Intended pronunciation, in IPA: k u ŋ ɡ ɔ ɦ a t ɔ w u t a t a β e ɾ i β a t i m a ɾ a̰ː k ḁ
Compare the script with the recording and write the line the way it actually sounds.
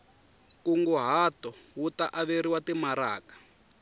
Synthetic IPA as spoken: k u ŋ ɡ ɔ ɦ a t ɔ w u t a ʔ a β e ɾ i w a t i m a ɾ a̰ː k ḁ